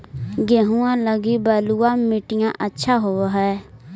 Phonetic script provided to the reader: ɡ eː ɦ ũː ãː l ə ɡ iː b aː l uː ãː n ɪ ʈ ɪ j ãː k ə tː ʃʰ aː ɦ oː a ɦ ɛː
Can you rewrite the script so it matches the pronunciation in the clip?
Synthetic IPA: ɡ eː ɦ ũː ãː l ə ɡ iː b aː l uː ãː m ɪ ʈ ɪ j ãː ʔ ə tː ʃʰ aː ɦ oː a ɦ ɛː